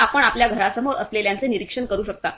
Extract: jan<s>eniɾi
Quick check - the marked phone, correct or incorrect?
incorrect